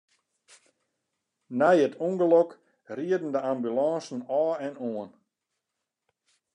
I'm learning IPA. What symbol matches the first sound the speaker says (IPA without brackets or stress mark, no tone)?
n